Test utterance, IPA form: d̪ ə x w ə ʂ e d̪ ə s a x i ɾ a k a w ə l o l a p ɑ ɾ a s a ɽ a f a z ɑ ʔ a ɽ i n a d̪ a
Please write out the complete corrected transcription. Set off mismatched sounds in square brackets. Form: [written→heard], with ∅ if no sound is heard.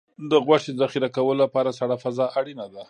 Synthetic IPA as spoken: d̪ ə [x→ɣ] w [ə→a] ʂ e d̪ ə [s→z] a x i ɾ a k a w ə l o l a p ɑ ɾ a s a ɽ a f a z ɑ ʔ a ɽ i n a d̪ a